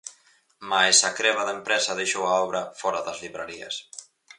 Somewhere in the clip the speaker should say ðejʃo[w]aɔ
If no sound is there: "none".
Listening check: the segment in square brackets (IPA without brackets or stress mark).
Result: w